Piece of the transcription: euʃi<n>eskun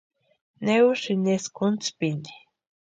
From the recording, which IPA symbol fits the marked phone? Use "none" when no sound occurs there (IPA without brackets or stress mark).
n